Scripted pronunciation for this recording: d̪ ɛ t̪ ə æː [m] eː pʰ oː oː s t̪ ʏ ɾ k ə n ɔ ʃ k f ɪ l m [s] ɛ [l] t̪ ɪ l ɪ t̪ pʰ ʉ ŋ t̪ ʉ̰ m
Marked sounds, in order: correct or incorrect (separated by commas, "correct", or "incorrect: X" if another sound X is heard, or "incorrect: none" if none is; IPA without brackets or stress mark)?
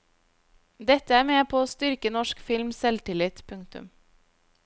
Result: correct, correct, correct